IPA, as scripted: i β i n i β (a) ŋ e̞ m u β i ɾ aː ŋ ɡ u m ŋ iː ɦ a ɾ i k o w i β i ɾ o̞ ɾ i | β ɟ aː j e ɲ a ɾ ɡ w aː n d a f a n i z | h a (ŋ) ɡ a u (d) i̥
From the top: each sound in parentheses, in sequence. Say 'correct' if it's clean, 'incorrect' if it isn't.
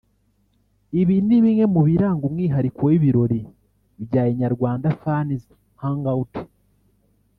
incorrect: i, correct, incorrect: t

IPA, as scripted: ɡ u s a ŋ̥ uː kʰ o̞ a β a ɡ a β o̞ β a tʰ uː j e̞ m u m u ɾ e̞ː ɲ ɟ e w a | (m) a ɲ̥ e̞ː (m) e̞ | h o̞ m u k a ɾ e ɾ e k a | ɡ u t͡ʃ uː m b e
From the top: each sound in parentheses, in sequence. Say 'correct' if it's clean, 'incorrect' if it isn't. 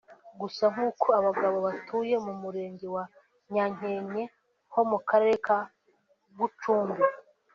incorrect: ɲ, incorrect: ɲ

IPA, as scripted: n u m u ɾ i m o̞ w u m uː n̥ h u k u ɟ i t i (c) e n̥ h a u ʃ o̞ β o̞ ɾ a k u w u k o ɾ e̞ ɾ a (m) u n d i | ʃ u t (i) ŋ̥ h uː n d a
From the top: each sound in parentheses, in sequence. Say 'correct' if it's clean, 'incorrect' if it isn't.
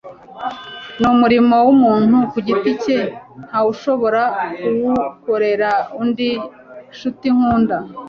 correct, incorrect: none, correct

